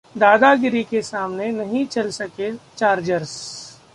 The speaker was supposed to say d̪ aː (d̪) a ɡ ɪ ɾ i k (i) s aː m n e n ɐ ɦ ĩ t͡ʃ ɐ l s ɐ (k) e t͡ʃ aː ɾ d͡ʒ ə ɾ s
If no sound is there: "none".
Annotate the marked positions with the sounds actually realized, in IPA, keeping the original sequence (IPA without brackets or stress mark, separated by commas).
d̪, e, k